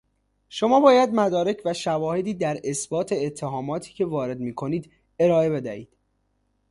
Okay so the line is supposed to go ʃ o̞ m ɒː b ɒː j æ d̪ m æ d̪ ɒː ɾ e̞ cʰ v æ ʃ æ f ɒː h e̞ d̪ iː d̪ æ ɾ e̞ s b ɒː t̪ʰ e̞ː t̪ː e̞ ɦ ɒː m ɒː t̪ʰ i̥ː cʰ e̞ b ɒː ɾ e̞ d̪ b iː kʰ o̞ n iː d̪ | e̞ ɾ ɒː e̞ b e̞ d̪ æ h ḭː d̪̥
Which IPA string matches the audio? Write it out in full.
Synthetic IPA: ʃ o̞ m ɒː b ɒː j æ d̪ m æ d̪ ɒː ɾ e̞ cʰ v æ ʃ æ v ɒː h e̞ d̪ iː d̪ æ ɾ e̞ s b ɒː t̪ʰ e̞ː t̪ʰː e̞ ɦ ɒː m ɒː t̪ʰ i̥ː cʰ e̞ v ɒː ɾ e̞ d̪ m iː kʰ o̞ n iː d̪ | e̞ ɾ ɒː e̞ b e̞ d̪ æ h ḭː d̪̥